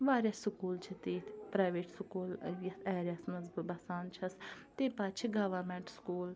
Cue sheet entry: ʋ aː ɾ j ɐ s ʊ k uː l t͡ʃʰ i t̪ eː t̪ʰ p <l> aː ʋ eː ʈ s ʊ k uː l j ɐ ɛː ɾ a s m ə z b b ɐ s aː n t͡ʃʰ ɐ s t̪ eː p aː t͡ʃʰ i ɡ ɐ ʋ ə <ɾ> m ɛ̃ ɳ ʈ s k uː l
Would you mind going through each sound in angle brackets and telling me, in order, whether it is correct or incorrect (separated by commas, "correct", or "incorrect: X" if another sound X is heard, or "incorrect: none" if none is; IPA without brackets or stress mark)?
incorrect: ɾ, correct